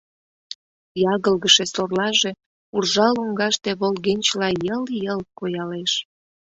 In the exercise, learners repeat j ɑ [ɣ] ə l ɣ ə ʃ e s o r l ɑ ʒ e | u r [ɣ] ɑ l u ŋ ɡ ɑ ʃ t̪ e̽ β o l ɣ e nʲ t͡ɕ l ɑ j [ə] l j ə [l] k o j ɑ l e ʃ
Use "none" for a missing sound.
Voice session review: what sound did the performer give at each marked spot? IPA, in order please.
ɣ, ʒ, ə, l

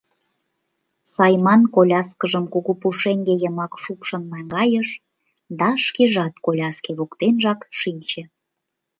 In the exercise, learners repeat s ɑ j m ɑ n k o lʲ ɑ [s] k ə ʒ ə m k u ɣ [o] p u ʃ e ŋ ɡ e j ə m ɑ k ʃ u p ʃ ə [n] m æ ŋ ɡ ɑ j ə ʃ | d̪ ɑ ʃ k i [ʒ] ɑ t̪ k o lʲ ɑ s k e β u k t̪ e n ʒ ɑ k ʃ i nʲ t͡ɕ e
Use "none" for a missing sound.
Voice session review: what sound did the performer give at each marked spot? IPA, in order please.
s, u, n, ʒ

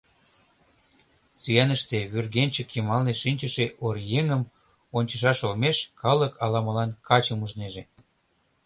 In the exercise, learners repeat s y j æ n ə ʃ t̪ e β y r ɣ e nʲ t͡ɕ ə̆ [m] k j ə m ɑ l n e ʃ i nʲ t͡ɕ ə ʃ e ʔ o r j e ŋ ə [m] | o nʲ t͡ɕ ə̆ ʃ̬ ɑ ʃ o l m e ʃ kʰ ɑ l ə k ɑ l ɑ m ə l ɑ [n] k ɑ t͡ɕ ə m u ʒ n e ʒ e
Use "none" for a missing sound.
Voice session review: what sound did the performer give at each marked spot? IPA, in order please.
none, m, n

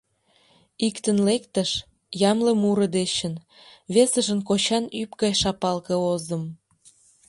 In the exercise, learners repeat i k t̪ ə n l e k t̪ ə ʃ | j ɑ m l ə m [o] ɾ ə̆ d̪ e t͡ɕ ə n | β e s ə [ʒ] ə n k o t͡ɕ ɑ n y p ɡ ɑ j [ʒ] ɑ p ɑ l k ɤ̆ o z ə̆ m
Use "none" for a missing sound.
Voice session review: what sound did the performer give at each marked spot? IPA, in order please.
u, ʒ, ʃ

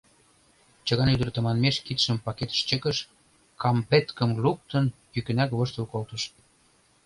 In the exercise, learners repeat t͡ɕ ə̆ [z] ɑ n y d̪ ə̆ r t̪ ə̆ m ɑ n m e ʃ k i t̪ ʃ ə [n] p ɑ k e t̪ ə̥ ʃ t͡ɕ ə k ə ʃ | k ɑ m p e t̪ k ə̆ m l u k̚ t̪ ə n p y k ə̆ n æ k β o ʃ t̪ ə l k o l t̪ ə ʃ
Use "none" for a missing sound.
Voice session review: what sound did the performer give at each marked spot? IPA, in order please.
ɣ, m

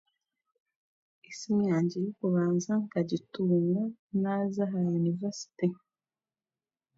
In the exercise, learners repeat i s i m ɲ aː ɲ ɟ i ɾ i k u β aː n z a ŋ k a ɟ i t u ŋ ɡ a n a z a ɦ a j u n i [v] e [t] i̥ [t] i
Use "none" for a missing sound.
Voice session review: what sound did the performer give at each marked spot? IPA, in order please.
v, s, t

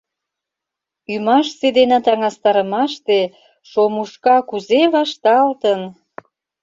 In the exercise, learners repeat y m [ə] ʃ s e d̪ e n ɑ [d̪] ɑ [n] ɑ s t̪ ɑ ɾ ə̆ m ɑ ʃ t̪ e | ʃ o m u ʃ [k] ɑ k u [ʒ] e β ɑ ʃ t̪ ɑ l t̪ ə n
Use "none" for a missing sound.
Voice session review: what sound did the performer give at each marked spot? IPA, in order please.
ɑ, t̪, ŋ, k, z

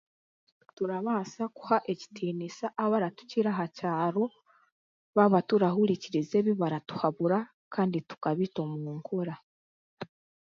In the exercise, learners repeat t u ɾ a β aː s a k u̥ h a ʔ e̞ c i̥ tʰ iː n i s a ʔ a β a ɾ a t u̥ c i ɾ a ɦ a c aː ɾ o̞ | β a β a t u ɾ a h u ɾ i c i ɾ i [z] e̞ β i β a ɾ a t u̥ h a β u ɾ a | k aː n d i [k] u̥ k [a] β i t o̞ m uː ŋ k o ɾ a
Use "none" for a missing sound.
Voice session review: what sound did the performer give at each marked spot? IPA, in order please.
z, t, a

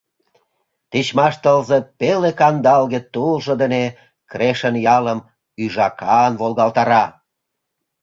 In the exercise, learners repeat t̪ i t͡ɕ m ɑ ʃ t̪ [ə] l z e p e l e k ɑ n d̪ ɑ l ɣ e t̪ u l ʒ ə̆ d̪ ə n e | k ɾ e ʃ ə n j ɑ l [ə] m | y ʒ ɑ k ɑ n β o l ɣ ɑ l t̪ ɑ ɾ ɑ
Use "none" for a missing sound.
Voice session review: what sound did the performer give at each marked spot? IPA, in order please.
ə, ə

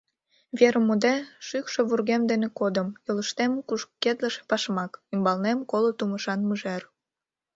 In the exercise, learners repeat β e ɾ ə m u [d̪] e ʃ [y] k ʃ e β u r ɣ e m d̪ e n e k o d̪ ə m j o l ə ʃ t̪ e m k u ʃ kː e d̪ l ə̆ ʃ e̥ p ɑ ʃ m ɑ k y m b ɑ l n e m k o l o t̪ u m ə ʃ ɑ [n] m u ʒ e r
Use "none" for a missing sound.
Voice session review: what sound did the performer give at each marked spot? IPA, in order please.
d̪, y, n

